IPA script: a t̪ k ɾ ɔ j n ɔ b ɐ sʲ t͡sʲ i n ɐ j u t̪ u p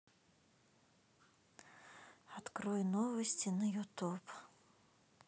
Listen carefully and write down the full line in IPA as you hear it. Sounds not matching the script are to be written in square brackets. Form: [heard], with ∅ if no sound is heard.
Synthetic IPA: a t̪ k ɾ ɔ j n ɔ [v] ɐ sʲ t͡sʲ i n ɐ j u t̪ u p